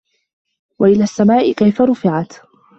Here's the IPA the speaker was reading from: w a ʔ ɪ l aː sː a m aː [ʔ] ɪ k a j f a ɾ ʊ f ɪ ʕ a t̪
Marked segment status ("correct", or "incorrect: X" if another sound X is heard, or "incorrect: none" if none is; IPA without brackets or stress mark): correct